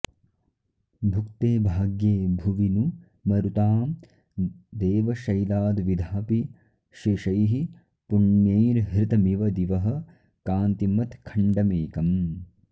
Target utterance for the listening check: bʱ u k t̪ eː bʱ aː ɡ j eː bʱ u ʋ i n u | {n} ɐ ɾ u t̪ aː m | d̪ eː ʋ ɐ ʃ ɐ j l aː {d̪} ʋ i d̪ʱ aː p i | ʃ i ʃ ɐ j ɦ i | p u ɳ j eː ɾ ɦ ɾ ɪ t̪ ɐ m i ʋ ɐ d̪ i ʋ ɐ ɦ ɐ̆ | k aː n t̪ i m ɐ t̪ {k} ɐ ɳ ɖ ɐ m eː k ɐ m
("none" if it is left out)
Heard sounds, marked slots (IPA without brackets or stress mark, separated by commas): m, d̪, kʰ